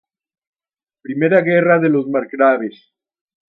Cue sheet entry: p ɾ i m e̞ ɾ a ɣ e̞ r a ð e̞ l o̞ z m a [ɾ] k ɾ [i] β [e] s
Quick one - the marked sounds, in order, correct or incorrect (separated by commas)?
correct, incorrect, correct